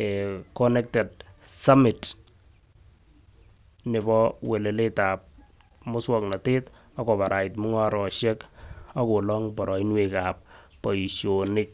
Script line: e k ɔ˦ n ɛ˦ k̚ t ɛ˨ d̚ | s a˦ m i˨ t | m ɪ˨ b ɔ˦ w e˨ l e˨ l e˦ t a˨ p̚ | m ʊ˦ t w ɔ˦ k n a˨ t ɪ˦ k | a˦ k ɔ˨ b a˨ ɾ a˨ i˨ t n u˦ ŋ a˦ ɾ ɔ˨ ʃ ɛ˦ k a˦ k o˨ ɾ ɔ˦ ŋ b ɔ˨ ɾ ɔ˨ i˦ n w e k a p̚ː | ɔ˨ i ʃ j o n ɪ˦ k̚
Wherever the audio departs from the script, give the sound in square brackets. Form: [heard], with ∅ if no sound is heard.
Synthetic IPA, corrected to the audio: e k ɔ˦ n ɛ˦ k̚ t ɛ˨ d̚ | s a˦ m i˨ t | [n] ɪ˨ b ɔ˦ w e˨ l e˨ l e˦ t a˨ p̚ | m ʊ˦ [s] w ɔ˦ k n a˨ t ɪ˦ [t] | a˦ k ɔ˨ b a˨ ɾ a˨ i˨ t [m] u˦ ŋ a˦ ɾ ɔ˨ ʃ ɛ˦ k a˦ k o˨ [l] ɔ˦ ŋ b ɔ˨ ɾ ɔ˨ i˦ n w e k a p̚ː | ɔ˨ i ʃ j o n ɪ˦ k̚